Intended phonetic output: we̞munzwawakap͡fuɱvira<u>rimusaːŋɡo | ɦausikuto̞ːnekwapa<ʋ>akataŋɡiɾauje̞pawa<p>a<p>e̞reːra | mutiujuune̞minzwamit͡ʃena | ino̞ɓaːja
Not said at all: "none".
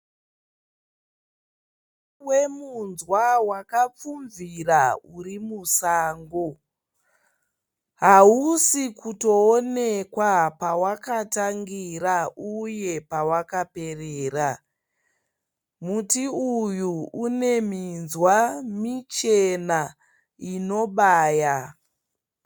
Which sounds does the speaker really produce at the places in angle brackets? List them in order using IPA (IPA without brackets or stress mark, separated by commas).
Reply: u, w, k, p